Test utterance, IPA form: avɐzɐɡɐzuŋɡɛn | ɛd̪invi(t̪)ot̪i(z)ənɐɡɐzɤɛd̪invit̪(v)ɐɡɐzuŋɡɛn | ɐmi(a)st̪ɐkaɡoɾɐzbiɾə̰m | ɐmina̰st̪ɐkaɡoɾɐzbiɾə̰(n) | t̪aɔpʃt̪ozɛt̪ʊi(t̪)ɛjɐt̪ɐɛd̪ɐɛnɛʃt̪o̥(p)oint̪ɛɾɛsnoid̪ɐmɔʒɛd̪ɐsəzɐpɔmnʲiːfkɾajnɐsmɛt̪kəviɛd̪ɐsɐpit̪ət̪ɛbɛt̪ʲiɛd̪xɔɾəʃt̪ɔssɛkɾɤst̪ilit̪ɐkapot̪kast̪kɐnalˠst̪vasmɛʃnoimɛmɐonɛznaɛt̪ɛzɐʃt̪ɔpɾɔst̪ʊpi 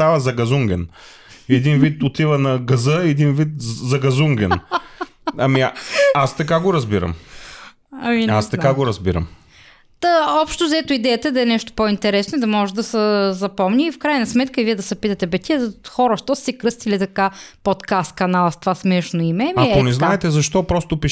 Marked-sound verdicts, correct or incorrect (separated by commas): correct, incorrect, incorrect, correct, incorrect, incorrect, correct